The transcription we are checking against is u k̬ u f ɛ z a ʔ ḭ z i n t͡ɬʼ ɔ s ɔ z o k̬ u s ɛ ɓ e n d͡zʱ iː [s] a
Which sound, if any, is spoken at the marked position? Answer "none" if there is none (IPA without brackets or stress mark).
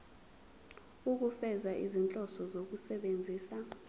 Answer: s